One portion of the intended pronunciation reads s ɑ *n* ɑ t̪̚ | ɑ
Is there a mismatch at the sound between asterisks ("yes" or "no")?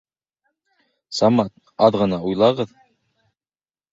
yes